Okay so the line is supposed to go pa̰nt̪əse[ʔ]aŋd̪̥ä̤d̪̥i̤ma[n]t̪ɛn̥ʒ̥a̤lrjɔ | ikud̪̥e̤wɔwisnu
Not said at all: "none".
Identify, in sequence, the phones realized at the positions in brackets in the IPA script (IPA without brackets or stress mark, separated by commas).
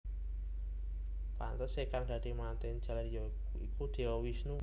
k, n